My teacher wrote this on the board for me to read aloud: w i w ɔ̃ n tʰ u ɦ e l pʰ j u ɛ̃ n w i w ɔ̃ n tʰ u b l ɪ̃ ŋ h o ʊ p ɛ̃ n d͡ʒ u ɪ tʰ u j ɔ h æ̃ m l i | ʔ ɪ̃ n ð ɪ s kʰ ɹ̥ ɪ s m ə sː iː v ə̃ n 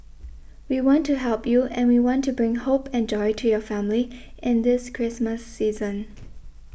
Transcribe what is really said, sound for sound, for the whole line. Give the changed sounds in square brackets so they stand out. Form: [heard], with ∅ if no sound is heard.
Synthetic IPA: w i w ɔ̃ n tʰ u ɦ [ɛ] l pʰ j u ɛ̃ n w i w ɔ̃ n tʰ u b [ɹ] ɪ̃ ŋ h o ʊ p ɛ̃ n d͡ʒ [ɔ] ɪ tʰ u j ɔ [f] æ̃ m l i | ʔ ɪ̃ n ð ɪ s kʰ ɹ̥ ɪ s m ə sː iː [z] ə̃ n